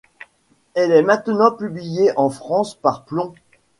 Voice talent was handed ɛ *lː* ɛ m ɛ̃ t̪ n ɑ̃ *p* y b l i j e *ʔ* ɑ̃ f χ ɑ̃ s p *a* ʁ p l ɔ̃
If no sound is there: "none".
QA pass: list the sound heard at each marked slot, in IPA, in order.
l, p, ʔ, a

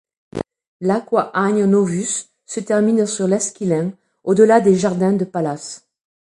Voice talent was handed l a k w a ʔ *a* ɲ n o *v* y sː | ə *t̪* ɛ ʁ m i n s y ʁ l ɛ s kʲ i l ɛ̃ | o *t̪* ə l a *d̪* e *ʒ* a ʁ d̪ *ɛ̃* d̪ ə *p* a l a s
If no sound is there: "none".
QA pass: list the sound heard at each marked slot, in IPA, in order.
a, v, t̪, d̪, d̪, ʒ, ɛ̃, p

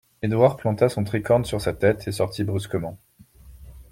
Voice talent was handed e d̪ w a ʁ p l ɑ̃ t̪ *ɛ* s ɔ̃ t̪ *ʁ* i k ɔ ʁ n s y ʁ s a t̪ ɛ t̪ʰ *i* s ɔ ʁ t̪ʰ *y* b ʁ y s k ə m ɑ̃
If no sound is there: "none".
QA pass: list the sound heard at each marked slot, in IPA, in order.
a, χ, e, i

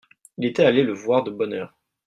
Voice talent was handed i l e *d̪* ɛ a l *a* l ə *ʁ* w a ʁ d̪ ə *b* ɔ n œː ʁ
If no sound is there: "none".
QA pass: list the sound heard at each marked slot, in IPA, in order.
t̪, e, v, b

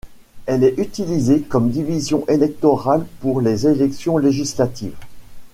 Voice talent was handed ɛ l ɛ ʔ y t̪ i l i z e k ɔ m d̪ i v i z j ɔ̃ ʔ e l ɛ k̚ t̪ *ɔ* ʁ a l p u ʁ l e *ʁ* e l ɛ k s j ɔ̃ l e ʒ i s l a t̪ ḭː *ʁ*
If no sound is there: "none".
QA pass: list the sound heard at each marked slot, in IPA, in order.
ɔ, z, v

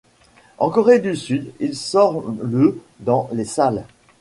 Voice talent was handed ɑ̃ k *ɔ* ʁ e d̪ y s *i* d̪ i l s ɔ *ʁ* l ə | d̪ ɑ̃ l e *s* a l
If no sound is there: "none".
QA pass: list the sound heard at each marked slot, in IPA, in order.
ɔ, y, ʁ, s

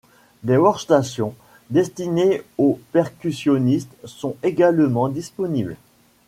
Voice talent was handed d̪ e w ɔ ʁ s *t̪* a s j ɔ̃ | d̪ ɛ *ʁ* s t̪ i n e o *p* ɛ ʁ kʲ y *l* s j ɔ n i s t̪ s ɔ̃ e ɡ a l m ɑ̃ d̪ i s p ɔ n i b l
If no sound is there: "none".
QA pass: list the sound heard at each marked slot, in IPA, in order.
t̪, none, p, none

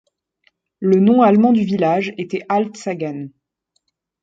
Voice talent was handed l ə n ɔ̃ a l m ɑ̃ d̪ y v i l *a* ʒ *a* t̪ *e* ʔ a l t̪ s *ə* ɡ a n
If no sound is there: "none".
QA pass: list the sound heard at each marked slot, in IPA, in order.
a, e, ɛ, a

